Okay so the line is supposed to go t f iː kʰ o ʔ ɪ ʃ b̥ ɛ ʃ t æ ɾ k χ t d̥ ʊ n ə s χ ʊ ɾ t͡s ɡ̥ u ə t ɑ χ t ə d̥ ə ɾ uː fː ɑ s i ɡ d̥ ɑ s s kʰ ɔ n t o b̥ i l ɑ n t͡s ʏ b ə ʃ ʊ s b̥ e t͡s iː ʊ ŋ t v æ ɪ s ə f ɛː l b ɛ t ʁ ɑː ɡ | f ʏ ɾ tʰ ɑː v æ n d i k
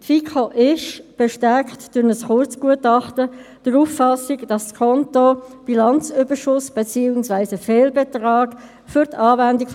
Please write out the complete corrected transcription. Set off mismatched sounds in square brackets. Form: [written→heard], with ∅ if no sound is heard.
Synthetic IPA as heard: t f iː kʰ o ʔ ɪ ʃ b̥ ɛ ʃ t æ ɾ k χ t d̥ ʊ n ə s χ ʊ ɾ t͡s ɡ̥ u ə t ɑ χ t ə d̥ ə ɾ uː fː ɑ s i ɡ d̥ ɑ s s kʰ ɔ n t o b̥ i l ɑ n t͡s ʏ b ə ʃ ʊ s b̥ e t͡s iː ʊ ŋ [t→s] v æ ɪ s ə f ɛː l b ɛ t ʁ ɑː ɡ | f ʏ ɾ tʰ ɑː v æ n d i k